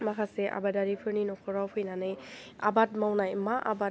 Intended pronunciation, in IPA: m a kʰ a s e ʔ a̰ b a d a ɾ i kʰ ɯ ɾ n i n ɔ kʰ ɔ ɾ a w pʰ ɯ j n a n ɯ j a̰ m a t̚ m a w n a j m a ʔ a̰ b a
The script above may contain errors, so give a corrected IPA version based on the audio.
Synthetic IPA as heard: m a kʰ a s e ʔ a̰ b a d a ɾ i pʰ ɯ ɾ n i n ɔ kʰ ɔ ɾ a w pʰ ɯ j n a n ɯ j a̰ b a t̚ m a w n a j m a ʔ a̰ b a